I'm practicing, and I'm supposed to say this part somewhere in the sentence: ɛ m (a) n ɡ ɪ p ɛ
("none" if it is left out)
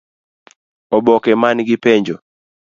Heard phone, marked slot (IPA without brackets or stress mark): a